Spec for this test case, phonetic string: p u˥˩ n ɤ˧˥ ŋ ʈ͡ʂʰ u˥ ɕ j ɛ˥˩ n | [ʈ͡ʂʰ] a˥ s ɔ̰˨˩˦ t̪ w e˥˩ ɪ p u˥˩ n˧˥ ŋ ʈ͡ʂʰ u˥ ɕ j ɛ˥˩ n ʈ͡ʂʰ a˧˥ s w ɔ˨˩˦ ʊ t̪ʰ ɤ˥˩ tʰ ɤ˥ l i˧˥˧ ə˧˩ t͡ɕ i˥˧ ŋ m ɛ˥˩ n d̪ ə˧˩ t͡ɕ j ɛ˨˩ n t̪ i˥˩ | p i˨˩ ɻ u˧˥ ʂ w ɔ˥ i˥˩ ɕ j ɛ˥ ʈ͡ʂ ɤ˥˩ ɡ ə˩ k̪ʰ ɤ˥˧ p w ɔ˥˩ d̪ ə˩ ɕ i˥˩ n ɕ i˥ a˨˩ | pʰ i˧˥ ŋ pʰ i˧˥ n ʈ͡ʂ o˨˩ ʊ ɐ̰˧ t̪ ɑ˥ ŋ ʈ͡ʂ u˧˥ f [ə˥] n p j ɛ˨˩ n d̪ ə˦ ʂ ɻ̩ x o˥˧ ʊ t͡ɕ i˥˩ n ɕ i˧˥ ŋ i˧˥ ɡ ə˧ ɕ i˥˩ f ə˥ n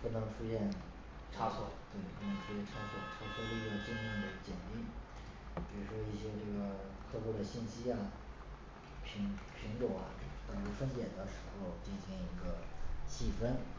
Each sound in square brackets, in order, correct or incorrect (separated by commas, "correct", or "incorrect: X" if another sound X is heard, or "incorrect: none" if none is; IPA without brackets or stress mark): correct, correct